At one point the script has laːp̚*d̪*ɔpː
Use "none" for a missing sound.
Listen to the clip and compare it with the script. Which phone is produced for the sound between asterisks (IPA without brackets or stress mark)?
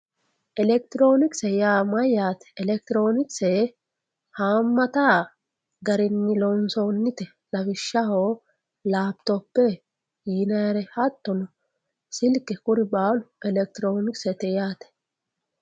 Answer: t̪